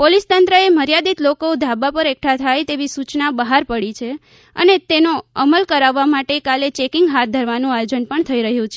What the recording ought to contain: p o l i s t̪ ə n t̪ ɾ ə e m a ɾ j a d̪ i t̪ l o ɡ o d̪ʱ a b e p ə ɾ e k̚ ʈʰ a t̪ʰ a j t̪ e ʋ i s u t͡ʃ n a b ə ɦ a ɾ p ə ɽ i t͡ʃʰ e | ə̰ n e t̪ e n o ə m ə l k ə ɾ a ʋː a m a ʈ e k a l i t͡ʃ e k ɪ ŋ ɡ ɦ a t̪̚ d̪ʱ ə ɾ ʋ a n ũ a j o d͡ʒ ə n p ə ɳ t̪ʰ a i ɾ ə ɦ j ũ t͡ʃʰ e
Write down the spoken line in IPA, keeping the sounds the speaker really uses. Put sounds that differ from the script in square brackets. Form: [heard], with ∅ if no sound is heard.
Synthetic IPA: p o l i s t̪ ə n t̪ ɾ ə e m [ə] ɾ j a d̪ i t̪ l o [k] o d̪ʱ a b [a] p ə ɾ e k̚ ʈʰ a t̪ʰ a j t̪ e ʋ i s u t͡ʃ n a b ə ɦ a ɾ p ə ɽ i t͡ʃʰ e | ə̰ n e t̪ e n o ə m ə l k ə ɾ a ʋː a m a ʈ e k a l [e] t͡ʃ e k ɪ ŋ ɡ ɦ a t̪̚ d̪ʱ ə ɾ ʋ a n ũ a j o d͡ʒ ə n p ə ɳ t̪ʰ [ə] i ɾ ə ɦ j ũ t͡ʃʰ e